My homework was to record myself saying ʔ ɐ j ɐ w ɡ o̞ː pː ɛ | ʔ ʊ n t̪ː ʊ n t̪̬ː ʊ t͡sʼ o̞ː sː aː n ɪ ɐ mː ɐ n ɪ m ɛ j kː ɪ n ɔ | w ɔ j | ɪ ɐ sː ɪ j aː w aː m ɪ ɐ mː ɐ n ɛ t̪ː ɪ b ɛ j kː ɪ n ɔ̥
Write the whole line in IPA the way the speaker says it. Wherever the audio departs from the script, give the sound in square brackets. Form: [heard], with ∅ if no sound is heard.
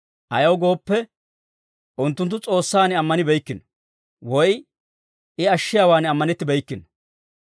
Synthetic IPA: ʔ ɐ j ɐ w ɡ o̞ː pː ɛ | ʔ ʊ n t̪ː ʊ n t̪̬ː ʊ t͡sʼ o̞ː sː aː n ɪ ɐ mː ɐ n ɪ [b] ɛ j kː ɪ n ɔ | w ɔ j | ɪ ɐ [ʃː] ɪ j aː w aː [n] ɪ ɐ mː ɐ n ɛ t̪ː ɪ b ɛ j kː ɪ n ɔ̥